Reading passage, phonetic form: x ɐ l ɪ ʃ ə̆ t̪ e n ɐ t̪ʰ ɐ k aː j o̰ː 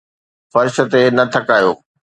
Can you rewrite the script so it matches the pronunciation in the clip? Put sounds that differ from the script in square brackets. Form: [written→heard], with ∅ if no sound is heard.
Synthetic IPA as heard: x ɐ [l→ɾ] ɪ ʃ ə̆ t̪ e n ɐ t̪ʰ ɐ k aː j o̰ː